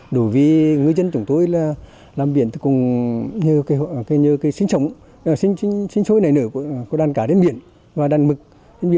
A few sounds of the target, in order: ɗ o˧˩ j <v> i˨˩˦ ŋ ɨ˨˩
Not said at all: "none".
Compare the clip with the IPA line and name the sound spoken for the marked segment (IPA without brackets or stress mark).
v